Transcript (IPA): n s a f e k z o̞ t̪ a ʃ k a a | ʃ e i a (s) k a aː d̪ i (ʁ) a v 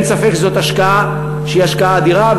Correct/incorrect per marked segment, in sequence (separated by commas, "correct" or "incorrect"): incorrect, correct